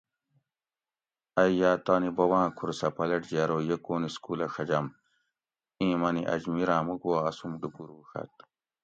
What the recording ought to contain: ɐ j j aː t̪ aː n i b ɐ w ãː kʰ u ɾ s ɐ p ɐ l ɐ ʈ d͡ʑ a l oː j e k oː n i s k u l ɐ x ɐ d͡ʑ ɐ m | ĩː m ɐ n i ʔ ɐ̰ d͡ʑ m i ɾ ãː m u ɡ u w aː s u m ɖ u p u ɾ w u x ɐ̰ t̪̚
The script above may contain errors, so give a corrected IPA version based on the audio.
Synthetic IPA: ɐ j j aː t̪ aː n i b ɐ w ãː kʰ u ɾ s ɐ p ɐ l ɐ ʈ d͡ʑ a ɾ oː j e k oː n i s k u l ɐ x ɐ d͡ʑ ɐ m | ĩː m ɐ n i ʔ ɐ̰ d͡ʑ m i ɾ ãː m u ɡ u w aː s u m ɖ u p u ɾ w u x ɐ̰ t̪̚